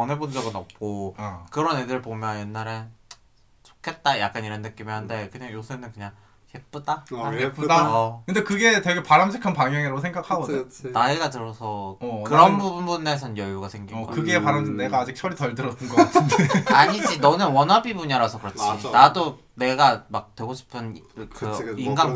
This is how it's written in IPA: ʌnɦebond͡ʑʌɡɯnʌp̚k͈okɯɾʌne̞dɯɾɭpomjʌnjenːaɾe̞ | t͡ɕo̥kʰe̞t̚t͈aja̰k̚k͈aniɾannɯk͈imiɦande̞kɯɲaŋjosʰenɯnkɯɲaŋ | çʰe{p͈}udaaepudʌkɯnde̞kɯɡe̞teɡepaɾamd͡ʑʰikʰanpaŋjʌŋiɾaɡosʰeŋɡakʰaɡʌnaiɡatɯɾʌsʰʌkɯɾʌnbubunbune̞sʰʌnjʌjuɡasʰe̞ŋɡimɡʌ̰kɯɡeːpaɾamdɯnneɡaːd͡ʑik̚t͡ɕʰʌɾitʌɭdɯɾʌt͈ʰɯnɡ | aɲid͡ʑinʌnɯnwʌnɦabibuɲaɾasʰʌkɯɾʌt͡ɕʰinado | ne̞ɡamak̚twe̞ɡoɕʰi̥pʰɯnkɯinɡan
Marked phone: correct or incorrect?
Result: correct